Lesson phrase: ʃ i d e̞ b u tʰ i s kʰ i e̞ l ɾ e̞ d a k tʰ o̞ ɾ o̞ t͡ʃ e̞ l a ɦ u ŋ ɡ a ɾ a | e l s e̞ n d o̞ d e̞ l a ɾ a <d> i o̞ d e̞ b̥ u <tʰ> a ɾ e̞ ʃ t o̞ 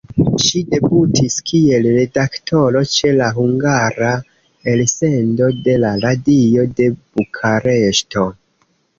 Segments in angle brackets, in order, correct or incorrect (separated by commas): correct, incorrect